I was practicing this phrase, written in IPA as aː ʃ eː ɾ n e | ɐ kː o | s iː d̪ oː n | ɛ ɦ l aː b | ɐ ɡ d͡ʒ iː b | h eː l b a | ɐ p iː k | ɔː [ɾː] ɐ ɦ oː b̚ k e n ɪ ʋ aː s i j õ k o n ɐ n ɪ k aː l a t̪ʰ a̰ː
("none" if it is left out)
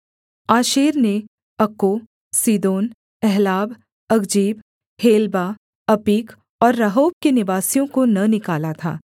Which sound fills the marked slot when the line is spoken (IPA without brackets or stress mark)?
ɾː